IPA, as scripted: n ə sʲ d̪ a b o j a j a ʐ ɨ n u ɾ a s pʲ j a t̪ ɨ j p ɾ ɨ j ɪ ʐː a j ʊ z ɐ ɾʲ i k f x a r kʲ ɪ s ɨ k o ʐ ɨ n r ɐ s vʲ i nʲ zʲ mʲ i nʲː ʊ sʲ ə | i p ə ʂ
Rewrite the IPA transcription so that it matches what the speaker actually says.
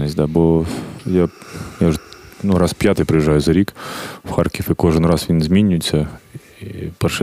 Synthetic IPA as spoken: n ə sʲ d̪ a b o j a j a ʐ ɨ n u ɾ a s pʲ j a t̪ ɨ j p ɾ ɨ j ɪ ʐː a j ʊ z ɐ ɾʲ i k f x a r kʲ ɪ f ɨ k o ʐ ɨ n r a s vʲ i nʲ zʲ mʲ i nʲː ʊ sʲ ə | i p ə ʂ